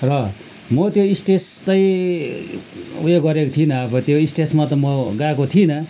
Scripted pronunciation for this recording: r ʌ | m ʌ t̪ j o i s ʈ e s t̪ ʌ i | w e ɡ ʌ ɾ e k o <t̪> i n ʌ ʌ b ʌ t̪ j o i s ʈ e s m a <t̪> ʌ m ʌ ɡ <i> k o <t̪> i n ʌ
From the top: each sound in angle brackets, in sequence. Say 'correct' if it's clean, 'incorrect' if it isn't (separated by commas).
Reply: incorrect, correct, incorrect, incorrect